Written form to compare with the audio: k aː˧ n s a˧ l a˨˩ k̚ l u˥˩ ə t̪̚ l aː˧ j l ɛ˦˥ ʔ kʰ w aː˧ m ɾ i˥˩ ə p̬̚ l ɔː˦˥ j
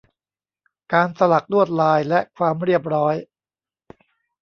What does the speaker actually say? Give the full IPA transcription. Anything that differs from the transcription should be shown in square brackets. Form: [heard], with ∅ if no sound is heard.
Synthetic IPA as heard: k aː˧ n s a˧ l a˨˩ k̚ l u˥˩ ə t̪̚ l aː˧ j l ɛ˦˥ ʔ kʰ w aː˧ m ɾ i˥˩ ə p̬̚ [ɾ] ɔː˦˥ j